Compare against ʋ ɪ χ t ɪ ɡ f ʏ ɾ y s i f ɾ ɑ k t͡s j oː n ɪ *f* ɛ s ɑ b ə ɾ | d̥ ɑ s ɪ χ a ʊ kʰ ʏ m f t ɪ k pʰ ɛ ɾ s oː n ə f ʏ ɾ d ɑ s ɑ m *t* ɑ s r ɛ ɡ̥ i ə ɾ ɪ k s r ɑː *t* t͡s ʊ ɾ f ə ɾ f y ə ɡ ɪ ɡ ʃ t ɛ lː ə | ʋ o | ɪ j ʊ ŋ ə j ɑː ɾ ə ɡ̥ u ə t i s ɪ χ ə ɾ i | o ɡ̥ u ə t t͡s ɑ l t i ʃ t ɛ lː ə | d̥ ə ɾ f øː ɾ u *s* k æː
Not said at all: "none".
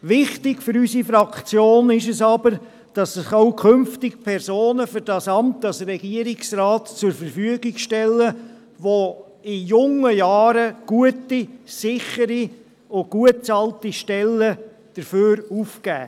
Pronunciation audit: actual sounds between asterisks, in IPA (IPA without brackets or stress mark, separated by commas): ʃ, t, t, f